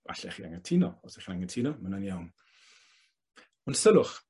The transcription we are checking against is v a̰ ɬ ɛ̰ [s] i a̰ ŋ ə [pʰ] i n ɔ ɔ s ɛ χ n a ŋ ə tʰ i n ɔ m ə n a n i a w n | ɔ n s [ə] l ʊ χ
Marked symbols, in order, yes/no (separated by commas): no, no, yes